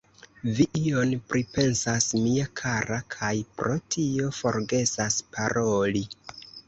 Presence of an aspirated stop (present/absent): present